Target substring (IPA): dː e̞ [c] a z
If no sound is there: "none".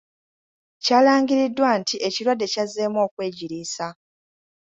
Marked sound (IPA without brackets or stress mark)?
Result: c